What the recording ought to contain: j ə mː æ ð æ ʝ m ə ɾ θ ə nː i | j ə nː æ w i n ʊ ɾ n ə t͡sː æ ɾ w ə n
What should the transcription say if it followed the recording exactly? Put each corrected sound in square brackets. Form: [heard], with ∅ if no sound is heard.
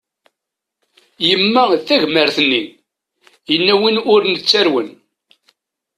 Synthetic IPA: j ə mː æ [θ] æ ʝ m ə ɾ θ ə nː i | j ə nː æ w i n ʊ ɾ n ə t͡sː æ ɾ w ə n

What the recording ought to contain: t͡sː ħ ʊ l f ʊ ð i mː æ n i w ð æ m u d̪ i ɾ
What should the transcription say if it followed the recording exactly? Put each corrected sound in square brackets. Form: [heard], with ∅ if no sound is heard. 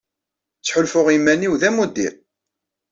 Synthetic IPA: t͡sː ħ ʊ l f ʊ [ʁ] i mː æ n i w ð æ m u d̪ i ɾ

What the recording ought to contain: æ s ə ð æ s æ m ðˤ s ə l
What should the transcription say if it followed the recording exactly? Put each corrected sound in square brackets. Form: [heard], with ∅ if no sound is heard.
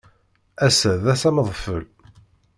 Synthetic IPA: æ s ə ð æ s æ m ðˤ [f] ə l

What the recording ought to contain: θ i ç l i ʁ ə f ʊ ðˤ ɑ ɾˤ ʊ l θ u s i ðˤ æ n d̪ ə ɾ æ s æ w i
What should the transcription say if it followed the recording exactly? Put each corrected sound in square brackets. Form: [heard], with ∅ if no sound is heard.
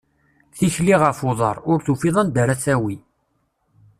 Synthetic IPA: θ i ç l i ʁ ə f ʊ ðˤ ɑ ɾˤ ʊ [ɾ] θ u [f] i ðˤ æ n d̪ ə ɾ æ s æ w i

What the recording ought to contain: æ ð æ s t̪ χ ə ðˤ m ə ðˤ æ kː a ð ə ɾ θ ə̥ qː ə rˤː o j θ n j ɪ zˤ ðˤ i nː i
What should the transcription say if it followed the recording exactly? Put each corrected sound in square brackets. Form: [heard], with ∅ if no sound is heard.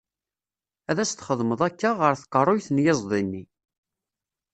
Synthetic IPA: æ ð æ s t̪ χ ə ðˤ m ə ðˤ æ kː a [ʁ] ə ɾ θ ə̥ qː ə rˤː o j θ n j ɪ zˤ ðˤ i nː i

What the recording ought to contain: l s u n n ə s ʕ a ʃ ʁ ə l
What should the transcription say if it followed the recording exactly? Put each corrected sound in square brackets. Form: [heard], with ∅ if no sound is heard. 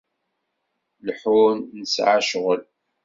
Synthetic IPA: l [ħ] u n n ə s ʕ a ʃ ʁ ə l

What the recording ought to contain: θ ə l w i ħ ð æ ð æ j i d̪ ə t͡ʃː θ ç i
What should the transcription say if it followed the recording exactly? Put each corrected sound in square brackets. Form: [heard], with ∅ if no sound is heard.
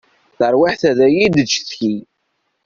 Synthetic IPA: θ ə [ɾ] w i ħ [θ] æ ð æ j i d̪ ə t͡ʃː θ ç i

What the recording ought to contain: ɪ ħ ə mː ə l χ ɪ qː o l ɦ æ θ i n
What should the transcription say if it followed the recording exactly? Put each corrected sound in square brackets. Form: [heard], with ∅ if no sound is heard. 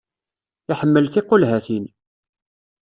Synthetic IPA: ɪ ħ ə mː ə l [θ] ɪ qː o l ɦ æ θ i n

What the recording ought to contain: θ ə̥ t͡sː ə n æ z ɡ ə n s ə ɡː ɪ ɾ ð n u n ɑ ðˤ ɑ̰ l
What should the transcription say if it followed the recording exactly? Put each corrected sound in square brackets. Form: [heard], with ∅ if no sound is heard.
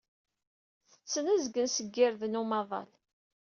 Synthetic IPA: θ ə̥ t͡sː ə n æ z ɡ ə n s ə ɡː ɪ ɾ ð n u [m] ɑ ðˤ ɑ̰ l

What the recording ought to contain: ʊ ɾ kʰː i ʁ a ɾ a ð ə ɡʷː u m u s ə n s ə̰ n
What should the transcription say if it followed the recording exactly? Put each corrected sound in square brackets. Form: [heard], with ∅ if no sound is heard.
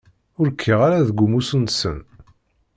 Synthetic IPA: ʊ ɾ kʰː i ʁ a ɾ a ð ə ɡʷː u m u s ə n s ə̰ n

